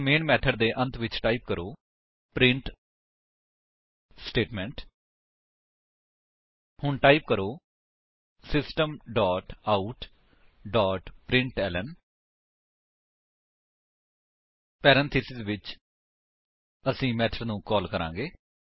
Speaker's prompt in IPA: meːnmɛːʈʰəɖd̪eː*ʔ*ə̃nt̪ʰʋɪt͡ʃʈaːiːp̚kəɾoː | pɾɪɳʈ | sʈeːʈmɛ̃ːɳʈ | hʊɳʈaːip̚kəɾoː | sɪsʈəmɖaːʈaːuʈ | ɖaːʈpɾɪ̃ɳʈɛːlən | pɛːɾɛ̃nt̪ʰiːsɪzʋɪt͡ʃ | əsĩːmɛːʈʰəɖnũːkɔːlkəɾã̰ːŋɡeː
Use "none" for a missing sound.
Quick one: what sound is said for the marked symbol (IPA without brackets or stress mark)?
ʔ